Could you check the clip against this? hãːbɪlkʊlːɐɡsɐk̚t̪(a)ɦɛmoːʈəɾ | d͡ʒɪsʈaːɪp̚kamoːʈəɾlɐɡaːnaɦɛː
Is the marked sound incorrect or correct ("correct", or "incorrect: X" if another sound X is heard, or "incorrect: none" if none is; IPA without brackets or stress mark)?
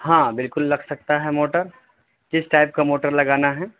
correct